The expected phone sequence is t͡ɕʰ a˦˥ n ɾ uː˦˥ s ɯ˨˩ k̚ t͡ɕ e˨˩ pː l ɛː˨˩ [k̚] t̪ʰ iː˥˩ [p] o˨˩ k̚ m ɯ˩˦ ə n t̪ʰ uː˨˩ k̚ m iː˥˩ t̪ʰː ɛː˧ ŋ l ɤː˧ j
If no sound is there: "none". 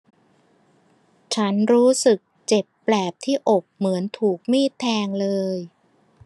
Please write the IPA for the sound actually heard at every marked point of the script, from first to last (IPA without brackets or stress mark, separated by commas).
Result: p̚, ʔ